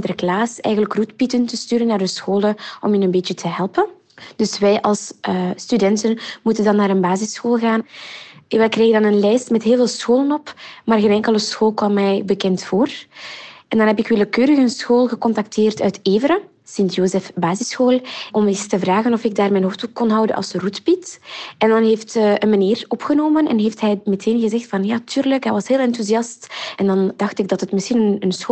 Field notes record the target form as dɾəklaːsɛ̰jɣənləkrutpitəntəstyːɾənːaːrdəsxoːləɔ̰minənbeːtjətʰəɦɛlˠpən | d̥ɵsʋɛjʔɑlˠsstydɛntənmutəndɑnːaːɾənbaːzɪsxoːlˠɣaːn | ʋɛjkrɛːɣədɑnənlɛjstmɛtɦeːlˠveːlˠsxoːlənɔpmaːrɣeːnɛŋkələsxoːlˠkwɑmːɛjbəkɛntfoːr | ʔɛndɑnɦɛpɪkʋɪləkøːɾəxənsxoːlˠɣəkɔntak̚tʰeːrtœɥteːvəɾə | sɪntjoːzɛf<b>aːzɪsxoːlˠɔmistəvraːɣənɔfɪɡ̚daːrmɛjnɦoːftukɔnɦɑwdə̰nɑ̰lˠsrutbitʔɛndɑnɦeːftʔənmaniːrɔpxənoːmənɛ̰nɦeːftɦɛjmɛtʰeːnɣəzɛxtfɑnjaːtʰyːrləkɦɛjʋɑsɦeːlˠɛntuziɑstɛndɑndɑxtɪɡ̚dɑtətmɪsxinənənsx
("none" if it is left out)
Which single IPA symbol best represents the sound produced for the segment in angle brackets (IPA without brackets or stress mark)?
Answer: b